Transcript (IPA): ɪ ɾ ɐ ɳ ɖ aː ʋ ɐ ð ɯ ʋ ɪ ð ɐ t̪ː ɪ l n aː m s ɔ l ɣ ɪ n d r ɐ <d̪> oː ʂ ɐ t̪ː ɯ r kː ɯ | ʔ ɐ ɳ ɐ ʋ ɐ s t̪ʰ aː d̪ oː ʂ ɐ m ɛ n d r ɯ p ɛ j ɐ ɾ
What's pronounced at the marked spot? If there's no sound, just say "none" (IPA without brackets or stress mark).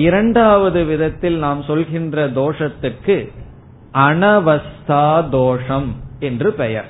d̪